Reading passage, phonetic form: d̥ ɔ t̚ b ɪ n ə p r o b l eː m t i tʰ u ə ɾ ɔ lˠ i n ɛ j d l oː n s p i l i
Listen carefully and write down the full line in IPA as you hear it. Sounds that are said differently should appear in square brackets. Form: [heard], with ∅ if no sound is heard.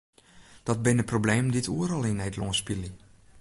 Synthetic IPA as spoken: d̥ ɔ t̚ b ɪ n ə p r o b l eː m [d] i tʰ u ə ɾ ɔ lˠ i n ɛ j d l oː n s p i l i